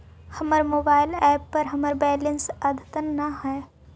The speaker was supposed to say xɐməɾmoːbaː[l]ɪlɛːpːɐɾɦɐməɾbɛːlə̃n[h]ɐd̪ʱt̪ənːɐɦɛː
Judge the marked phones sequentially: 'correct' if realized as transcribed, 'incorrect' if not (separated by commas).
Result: incorrect, incorrect